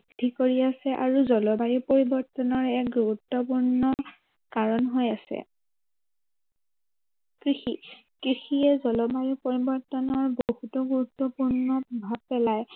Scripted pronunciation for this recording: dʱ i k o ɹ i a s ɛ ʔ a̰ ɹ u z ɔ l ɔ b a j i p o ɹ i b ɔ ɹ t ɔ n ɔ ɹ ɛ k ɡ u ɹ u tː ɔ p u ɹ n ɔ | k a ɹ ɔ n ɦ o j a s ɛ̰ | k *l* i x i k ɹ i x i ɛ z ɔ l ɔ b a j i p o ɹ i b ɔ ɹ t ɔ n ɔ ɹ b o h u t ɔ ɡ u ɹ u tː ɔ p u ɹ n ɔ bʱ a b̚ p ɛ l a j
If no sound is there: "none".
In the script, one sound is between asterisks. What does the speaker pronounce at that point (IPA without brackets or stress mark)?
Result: ɹ